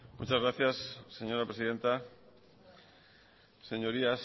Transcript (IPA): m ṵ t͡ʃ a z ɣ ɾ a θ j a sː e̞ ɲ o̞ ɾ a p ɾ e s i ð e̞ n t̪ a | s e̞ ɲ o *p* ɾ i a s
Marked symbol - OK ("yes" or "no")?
no